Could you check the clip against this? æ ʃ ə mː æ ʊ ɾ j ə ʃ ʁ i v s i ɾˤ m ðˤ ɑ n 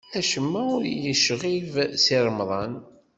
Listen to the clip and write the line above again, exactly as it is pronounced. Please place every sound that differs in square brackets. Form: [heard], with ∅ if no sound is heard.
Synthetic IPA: æ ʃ ə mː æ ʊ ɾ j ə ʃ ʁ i v s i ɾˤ m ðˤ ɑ n